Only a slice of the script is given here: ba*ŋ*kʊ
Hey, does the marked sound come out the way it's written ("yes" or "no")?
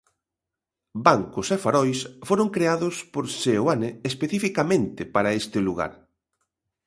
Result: yes